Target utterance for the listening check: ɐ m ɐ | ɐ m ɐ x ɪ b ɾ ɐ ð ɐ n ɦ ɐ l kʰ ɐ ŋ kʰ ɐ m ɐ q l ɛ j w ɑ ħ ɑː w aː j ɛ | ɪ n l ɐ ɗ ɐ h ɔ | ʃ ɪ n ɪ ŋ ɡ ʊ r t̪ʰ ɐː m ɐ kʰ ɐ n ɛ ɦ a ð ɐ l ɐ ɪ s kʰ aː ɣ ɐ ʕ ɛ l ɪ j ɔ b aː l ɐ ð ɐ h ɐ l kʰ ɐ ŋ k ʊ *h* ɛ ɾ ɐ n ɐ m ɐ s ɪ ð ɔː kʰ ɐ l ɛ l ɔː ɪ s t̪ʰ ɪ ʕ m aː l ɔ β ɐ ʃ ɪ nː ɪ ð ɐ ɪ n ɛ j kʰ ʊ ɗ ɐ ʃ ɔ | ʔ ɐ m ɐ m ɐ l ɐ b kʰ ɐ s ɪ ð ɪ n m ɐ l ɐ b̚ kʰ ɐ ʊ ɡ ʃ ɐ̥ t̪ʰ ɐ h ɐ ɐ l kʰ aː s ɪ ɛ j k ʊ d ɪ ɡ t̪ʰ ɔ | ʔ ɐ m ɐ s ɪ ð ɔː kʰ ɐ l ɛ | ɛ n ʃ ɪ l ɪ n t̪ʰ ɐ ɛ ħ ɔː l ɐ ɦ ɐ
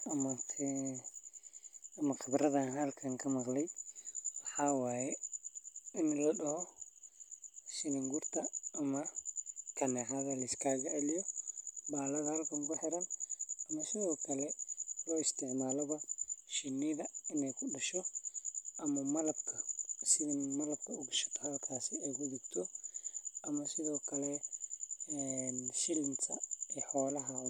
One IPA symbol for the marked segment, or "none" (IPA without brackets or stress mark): ħ